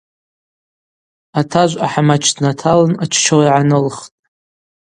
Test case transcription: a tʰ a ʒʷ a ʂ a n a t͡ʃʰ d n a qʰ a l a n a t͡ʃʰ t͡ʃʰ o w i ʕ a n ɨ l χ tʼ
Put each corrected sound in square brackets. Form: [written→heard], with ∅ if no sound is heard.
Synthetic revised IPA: a tʰ a ʒʷ a [ʂ→ħ] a [n→m] a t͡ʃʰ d n a [qʰ→tʰ] a l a n a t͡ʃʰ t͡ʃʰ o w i ʕ a n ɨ l χ tʼ